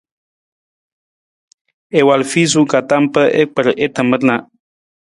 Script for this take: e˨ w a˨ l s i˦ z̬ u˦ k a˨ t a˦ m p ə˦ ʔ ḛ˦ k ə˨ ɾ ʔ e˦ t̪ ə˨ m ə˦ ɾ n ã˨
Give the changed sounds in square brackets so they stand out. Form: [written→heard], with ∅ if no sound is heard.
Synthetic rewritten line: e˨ w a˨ l [s→f] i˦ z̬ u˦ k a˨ t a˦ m p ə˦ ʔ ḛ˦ [k→k͡p] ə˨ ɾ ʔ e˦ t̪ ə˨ m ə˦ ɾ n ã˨